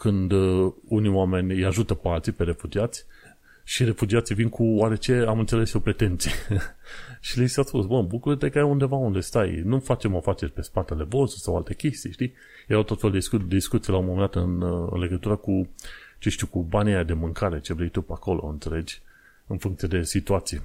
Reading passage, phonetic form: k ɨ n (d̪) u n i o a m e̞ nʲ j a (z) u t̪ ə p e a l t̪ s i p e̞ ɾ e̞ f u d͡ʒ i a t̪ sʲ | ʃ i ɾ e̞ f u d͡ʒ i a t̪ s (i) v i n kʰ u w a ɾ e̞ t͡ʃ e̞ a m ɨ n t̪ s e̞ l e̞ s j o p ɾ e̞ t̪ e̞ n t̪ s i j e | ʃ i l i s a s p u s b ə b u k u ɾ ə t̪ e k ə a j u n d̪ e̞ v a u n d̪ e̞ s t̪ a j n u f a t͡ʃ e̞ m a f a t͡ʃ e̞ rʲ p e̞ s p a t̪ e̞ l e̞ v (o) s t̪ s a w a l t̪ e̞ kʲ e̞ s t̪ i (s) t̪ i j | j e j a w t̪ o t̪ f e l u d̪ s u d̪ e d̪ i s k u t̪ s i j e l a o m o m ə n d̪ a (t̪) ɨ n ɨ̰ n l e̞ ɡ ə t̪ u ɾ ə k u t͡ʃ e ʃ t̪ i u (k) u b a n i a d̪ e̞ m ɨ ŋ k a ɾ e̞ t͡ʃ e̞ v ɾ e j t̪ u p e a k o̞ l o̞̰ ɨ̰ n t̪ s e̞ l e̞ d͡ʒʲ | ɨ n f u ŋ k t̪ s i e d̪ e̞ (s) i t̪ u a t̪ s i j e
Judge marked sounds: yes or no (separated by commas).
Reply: yes, no, yes, yes, no, yes, yes, yes